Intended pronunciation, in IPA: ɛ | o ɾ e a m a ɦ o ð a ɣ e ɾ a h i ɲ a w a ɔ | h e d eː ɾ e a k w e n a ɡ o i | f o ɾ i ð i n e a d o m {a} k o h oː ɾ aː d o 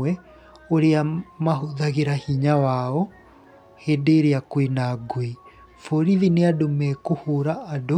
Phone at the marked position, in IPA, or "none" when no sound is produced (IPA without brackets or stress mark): ɛ